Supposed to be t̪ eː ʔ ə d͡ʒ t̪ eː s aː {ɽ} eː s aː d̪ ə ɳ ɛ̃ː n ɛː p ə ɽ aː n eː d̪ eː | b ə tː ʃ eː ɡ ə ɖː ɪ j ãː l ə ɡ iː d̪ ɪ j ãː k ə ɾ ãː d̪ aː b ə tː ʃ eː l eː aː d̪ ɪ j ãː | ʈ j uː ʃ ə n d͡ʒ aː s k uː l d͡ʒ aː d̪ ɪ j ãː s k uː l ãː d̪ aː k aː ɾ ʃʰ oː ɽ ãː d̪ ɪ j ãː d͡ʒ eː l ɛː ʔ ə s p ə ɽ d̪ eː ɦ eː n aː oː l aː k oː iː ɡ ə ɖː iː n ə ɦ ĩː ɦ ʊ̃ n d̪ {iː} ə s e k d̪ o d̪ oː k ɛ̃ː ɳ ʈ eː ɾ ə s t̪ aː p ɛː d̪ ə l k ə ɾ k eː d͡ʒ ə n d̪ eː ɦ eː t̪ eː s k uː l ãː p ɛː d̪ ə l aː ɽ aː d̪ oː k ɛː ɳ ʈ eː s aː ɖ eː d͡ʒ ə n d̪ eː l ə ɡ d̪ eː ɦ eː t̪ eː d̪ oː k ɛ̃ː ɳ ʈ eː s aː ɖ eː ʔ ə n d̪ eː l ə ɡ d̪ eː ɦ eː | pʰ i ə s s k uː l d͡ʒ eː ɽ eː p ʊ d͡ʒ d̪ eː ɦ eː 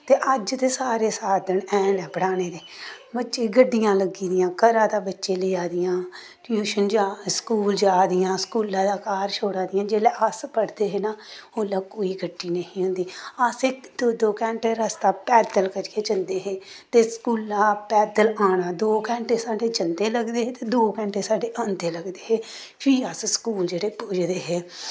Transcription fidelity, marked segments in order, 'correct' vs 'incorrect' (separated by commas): incorrect, correct